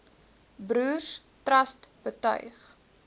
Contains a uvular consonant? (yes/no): yes